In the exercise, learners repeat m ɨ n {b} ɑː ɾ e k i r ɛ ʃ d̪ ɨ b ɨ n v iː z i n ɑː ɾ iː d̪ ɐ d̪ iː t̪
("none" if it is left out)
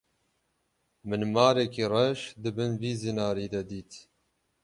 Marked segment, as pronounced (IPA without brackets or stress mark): m